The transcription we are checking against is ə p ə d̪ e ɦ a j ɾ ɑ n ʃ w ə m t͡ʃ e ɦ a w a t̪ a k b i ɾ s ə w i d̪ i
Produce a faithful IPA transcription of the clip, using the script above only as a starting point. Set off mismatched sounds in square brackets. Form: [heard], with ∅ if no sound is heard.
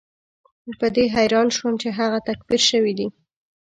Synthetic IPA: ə p ə d̪ e ɦ a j ɾ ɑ n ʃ w ə m t͡ʃ e ɦ a [ɣ] a t̪ a k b i ɾ [ʃ] ə w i d̪ i